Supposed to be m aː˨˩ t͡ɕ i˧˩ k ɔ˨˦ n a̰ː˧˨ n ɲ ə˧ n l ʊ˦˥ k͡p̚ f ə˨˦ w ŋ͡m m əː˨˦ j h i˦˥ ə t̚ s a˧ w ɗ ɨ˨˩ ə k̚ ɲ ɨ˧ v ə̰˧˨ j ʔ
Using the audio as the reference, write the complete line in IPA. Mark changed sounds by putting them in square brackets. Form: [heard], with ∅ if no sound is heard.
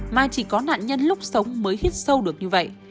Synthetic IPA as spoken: m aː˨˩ t͡ɕ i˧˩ k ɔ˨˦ n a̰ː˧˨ n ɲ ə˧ n l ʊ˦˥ k͡p̚ [s] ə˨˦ w ŋ͡m m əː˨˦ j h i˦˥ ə t̚ s [ə˧] w ɗ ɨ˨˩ ə k̚ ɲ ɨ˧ v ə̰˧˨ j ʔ